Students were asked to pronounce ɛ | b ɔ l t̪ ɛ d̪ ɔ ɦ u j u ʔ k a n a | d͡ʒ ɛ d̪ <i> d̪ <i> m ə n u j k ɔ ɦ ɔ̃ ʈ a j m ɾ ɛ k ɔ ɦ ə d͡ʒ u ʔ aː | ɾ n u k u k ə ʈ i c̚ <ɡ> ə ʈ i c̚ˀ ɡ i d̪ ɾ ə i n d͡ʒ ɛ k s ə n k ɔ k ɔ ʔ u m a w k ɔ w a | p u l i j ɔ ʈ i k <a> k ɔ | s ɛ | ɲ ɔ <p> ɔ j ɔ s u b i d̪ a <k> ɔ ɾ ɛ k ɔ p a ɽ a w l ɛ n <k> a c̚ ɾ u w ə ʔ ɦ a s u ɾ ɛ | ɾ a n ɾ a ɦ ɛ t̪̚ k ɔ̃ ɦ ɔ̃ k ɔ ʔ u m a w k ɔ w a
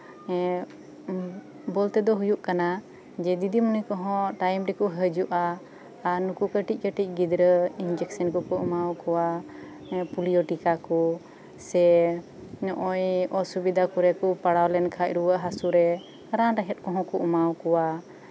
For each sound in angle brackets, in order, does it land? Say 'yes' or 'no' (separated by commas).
yes, yes, no, yes, no, yes, no